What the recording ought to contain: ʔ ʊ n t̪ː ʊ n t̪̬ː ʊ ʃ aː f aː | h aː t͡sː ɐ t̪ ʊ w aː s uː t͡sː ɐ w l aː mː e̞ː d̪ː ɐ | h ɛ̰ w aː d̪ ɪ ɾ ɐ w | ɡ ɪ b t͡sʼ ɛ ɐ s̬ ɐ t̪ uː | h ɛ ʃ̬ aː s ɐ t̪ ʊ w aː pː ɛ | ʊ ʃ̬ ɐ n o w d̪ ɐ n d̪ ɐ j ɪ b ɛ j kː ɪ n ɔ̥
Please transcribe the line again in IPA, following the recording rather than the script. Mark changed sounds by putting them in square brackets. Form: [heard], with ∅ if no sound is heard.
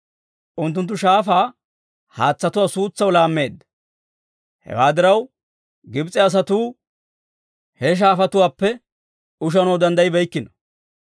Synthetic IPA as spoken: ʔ ʊ n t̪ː ʊ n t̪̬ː ʊ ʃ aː f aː | h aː t͡sː ɐ t̪ ʊ w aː s uː t͡sː ɐ w l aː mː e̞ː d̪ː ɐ | h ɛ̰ w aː d̪ ɪ ɾ ɐ w | ɡ ɪ b t͡sʼ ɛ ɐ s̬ ɐ t̪ uː | h ɛ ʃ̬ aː [f] ɐ t̪ ʊ w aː pː ɛ | ʊ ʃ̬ ɐ n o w d̪ ɐ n d̪ ɐ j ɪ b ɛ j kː ɪ n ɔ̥